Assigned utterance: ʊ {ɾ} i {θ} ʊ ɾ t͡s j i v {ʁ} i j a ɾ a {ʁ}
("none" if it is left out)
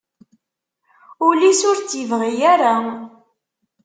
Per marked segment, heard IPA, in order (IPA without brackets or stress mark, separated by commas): l, s, ʁ, none